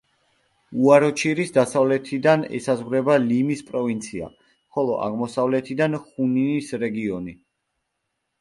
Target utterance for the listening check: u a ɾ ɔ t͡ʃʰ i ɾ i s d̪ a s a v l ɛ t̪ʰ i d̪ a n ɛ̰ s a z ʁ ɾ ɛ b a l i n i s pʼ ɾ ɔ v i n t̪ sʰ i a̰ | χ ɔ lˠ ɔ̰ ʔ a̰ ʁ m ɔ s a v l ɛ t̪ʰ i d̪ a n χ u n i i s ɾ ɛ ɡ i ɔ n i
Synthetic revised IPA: u a ɾ ɔ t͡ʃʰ i ɾ i s d̪ a s a v l ɛ t̪ʰ i d̪ a n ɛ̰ s a z ʁ ɾ ɛ b a l i m i s pʼ ɾ ɔ v i n t̪ sʰ i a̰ | χ ɔ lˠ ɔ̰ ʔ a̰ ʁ m ɔ s a v l ɛ t̪ʰ i d̪ a n χ u n i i s ɾ ɛ ɡ i ɔ n i